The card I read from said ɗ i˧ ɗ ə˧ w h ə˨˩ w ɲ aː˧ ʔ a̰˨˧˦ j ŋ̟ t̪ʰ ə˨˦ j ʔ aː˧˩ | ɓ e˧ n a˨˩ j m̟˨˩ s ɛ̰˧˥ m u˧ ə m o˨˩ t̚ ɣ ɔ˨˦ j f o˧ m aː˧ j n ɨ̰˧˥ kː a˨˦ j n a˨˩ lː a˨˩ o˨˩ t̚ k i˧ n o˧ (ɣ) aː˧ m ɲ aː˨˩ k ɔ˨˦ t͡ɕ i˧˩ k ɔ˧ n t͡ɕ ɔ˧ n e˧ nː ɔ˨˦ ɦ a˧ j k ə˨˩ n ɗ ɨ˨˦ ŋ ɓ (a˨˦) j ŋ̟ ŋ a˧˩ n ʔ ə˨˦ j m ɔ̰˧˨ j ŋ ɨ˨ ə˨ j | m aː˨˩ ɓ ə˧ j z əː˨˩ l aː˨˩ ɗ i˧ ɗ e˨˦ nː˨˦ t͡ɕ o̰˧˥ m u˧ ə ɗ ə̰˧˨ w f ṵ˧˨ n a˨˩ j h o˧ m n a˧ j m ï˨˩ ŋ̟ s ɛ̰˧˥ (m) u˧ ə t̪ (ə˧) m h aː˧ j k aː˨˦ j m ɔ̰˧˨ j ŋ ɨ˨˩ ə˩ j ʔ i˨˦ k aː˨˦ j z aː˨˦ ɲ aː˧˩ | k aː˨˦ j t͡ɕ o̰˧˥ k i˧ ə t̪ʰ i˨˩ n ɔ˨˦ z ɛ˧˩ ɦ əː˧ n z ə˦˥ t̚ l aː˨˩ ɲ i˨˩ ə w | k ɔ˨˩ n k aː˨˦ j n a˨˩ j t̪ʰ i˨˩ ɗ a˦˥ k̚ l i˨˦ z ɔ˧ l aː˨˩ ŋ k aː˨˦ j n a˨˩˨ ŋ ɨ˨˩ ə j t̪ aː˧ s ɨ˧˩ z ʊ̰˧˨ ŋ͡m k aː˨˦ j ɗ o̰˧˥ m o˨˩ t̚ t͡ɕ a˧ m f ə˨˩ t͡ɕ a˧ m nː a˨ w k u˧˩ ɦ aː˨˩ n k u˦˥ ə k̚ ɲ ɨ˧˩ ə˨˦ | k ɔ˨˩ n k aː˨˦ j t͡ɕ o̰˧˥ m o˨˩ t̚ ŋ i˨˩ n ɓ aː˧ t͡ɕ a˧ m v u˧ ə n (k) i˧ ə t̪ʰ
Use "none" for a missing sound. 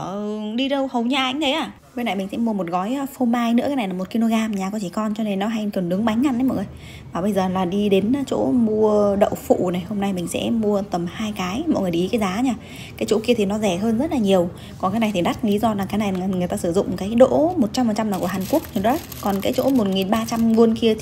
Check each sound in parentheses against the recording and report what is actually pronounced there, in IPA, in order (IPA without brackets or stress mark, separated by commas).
ɣ, a˨˦, m, ə˨˩, k